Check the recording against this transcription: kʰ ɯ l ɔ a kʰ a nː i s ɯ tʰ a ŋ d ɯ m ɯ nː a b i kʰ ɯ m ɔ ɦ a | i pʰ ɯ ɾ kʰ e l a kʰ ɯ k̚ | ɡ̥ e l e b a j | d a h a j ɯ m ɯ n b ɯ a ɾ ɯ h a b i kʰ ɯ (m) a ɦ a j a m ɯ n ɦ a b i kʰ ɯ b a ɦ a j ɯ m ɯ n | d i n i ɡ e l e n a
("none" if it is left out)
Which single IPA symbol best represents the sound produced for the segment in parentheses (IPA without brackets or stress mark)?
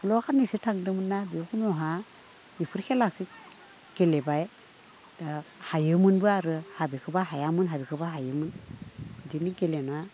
b